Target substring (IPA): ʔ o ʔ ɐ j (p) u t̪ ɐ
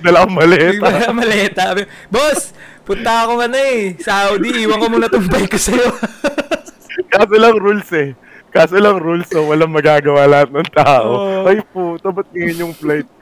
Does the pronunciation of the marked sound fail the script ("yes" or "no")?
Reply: no